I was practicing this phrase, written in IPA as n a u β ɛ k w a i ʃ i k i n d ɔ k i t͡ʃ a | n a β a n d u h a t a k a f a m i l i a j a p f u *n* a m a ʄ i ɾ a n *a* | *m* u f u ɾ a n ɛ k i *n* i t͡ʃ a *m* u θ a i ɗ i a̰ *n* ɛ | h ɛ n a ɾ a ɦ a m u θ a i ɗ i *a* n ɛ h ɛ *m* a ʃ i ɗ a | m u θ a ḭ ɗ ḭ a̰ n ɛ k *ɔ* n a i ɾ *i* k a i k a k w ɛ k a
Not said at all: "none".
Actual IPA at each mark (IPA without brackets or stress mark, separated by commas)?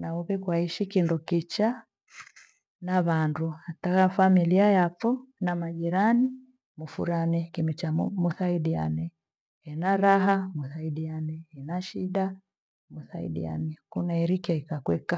n, i, m, m, m, n, a, n, u, i